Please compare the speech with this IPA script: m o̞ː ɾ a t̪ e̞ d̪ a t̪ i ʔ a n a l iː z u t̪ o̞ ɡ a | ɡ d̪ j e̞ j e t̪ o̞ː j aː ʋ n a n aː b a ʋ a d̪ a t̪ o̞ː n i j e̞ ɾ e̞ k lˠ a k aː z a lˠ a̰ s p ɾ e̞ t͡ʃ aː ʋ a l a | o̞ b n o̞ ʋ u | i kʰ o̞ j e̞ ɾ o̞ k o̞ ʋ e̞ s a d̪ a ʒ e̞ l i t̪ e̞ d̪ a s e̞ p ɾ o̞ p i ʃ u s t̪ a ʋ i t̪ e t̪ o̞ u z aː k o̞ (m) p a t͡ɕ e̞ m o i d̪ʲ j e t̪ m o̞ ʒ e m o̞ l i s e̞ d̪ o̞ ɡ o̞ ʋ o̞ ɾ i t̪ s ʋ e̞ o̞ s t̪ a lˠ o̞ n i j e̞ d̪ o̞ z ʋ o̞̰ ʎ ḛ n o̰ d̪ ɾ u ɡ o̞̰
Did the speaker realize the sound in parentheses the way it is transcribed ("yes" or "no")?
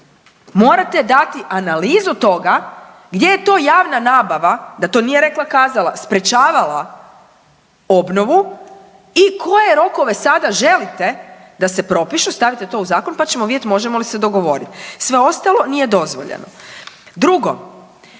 no